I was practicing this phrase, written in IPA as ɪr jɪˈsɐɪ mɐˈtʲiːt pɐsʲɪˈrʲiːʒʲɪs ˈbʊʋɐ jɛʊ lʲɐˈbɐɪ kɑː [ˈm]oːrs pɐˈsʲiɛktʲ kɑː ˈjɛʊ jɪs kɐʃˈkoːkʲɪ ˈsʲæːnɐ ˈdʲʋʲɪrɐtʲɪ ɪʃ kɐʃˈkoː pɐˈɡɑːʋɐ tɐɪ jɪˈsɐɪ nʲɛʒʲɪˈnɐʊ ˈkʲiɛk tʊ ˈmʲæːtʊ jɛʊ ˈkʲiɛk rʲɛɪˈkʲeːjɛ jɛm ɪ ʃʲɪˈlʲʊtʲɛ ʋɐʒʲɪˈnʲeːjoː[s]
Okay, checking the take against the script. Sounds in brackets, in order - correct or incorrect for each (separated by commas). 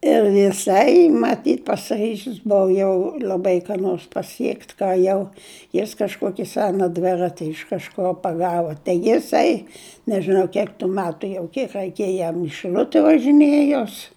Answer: incorrect, correct